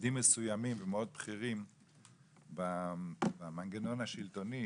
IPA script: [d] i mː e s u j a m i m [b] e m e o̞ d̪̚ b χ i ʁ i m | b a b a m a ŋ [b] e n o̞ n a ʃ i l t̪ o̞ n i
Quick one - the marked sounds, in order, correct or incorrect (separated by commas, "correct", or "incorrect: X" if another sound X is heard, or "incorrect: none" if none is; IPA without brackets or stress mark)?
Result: correct, incorrect: v, incorrect: ɡ